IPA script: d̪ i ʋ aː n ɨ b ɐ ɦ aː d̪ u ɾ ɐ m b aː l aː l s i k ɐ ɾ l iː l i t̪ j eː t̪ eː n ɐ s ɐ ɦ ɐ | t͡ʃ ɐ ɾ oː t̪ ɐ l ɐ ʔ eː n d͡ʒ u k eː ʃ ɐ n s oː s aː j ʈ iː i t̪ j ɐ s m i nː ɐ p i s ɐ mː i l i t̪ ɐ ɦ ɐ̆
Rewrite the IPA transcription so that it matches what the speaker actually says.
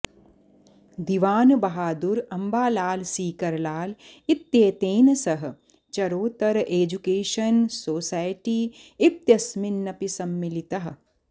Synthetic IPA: d̪ i ʋ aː n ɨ b ɐ ɦ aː d̪ u ɾ ɐ m b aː l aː l s iː k ɐ ɾ l aː l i t̪ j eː t̪ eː n ɐ s ɐ ɦ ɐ | t͡ʃ ɐ ɾ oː t̪ ɐ ɾ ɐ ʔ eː d͡ʒ u k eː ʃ ɐ n s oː s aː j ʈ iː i t̪ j ɐ s m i nː ɐ p i s ɐ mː i l i t̪ ɐ ɦ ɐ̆